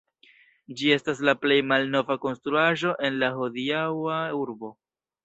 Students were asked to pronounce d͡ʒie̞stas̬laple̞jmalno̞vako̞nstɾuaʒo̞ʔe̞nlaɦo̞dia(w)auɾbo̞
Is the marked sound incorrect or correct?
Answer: correct